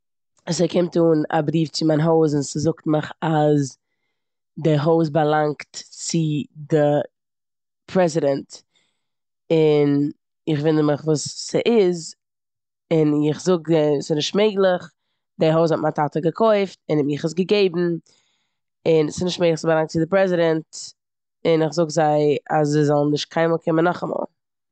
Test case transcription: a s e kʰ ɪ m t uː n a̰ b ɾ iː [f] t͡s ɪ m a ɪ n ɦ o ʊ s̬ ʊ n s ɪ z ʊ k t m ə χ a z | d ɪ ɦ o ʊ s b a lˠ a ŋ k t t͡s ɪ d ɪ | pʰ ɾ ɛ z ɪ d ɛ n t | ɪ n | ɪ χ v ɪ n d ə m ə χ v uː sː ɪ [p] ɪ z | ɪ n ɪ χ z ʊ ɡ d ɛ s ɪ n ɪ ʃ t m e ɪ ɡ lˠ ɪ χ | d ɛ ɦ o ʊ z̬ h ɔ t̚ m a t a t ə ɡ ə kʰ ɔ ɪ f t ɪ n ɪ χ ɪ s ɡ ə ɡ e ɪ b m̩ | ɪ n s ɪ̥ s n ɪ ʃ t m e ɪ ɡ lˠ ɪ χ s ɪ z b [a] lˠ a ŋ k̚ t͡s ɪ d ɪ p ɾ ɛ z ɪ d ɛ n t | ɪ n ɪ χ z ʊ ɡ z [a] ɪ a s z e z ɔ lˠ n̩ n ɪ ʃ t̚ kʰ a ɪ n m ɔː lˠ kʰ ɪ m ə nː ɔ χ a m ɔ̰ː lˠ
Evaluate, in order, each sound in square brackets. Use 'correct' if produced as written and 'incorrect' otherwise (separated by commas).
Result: correct, incorrect, correct, correct